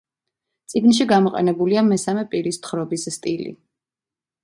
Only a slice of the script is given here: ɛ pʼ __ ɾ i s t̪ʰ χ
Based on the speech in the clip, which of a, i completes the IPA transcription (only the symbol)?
i